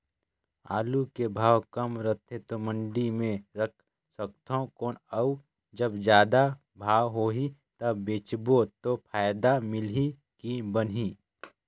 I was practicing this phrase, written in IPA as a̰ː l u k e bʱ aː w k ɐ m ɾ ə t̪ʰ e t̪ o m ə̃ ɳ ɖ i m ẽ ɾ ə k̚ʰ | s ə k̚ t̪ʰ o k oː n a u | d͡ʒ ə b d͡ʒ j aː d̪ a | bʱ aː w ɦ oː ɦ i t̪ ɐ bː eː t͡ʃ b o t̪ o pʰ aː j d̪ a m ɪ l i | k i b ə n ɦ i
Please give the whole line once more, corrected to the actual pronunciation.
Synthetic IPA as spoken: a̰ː l u k e bʱ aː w k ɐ m ɾ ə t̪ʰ e t̪ o m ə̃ ɳ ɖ i m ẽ ɾ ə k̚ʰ | s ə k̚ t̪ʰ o k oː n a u | d͡ʒ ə b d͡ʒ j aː d̪ a | bʱ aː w ɦ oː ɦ i t̪ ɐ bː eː t͡ʃ b o t̪ o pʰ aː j d̪ a m ɪ l i | k i b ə n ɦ i